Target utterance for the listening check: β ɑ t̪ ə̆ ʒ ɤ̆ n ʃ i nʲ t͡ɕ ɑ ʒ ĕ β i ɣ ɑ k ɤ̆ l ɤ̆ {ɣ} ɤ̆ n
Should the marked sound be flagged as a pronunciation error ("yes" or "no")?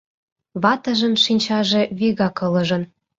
yes